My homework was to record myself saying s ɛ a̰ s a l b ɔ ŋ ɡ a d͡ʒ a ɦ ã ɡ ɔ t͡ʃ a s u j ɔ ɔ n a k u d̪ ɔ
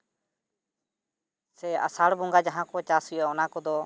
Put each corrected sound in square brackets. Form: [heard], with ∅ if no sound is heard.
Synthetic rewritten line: s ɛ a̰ s a [ɽ] b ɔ ŋ ɡ a d͡ʒ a ɦ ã [k] ɔ t͡ʃ a s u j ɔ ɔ n a k [ɔ] d̪ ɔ